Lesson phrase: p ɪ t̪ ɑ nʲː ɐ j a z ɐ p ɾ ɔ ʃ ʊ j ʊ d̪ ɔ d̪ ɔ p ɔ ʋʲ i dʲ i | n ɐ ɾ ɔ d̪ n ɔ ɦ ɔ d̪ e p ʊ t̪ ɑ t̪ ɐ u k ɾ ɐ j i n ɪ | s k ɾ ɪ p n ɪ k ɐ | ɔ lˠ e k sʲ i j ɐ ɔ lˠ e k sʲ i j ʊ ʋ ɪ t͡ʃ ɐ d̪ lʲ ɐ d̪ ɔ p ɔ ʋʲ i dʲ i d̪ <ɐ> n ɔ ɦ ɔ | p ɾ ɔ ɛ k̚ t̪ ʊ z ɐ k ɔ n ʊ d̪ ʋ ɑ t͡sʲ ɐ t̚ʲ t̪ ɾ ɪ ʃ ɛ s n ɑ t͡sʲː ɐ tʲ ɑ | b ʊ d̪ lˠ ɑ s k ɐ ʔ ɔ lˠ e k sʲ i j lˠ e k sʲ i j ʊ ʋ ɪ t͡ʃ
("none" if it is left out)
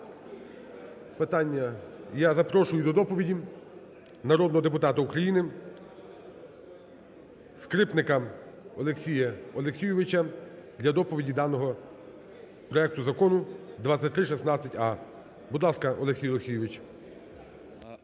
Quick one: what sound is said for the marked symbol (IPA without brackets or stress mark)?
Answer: ɑ